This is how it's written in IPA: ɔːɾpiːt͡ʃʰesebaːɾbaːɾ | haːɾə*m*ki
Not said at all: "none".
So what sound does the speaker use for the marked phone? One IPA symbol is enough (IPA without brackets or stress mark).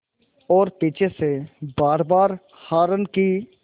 n